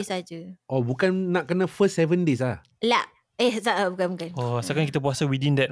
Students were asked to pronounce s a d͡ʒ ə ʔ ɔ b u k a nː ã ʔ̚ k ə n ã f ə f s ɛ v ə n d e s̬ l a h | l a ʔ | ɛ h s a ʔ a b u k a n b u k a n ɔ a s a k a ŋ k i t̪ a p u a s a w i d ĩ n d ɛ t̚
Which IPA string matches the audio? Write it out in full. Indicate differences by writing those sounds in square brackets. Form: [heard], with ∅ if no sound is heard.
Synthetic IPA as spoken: s a d͡ʒ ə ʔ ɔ b u k a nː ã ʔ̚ k ə n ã f ə [s] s ɛ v ə n d e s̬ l a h | l a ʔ | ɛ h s a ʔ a b u k a n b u k a n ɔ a s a k a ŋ k i t̪ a p u a s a w i d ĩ n d ɛ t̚